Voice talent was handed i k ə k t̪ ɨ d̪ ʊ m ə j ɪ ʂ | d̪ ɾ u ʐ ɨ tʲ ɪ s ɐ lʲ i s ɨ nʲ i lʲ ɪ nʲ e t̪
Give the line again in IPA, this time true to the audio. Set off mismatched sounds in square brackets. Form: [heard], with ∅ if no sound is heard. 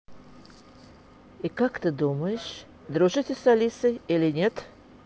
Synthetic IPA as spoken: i k [a] k t̪ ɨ d̪ [u] m ə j ɪ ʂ | d̪ ɾ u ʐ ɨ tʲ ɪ s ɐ lʲ i s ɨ [∅] i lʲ ɪ nʲ e t̪